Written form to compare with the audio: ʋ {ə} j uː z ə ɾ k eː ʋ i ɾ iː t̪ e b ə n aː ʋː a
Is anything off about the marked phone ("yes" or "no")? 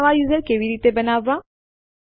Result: yes